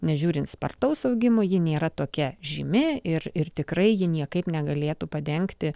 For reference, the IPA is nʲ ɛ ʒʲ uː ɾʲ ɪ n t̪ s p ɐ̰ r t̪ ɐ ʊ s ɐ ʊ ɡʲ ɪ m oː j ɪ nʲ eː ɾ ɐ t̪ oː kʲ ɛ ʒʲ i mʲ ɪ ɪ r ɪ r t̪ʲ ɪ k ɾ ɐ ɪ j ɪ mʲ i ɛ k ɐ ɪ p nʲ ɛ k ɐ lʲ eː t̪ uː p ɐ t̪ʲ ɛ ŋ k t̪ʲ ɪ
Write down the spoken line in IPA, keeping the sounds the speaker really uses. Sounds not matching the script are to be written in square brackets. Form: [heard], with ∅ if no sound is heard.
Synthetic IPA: nʲ ɛ ʒʲ uː ɾʲ ɪ n t̪ s p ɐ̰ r t̪ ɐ ʊ s ɐ ʊ ɡʲ ɪ m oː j ɪ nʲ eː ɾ ɐ t̪ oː kʲ ɛ ʒʲ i mʲ ɪ ɪ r ɪ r t̪ʲ ɪ k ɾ ɐ ɪ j ɪ [nʲ] i ɛ k ɐ ɪ p nʲ ɛ [ɡ] ɐ lʲ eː t̪ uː p ɐ [d̪ʲ] ɛ ŋ k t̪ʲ ɪ